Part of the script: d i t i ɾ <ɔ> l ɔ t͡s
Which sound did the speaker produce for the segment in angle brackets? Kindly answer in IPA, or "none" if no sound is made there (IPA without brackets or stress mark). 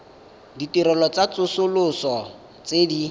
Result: ɔ